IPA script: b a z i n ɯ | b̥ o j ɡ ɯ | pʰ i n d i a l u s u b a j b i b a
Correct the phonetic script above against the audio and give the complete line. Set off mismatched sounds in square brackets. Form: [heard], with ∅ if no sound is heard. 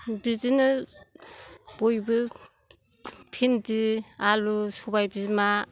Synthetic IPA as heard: b [i] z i n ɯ | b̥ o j [b] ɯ | pʰ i n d i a l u s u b a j b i [m] a